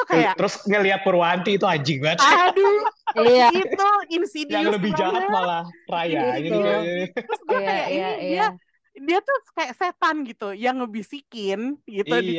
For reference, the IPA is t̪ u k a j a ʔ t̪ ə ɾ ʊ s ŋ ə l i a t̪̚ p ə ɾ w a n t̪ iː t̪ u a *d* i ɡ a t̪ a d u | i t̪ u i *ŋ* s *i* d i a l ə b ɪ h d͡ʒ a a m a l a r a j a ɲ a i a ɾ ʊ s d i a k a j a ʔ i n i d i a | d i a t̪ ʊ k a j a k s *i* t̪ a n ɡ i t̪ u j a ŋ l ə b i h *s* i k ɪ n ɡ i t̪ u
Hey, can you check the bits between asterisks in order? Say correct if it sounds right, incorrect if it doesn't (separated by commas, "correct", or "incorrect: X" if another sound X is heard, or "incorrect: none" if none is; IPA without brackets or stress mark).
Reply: incorrect: d͡ʒ, incorrect: n, correct, incorrect: e, correct